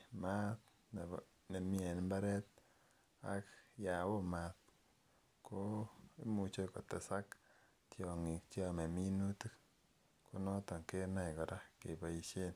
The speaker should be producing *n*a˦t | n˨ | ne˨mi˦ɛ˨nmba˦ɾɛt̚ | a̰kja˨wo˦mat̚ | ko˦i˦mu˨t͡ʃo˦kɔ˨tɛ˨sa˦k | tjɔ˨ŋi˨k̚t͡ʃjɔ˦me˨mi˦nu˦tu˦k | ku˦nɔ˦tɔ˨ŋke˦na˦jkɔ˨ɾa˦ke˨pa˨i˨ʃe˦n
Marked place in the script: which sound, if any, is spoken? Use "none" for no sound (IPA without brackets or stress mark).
m